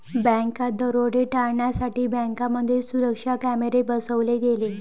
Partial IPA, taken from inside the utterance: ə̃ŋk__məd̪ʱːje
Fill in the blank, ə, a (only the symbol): a